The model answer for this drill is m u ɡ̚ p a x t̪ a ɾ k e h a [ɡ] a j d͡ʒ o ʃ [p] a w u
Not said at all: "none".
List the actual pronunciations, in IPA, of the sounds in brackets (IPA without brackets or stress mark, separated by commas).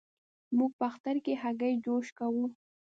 ɡ, k